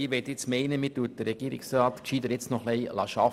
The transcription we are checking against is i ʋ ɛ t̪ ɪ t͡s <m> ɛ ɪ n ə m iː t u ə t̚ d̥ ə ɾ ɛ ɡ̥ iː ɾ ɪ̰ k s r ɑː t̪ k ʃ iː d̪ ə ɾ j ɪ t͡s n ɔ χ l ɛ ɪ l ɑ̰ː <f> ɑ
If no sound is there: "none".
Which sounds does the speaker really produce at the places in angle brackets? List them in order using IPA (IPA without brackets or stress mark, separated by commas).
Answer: m, ʃ